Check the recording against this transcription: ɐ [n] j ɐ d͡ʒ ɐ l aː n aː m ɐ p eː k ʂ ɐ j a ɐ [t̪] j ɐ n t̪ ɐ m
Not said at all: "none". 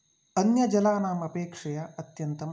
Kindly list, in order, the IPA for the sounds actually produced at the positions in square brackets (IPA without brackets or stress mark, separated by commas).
n, t̪